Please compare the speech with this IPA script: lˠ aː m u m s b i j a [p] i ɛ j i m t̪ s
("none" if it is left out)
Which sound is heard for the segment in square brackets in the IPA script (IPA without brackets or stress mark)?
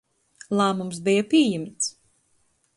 p